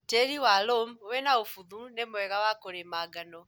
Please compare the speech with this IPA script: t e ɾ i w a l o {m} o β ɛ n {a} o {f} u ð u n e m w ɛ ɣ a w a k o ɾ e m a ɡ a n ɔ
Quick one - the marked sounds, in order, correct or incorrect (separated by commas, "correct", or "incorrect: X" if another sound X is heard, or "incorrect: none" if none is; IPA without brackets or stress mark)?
correct, correct, correct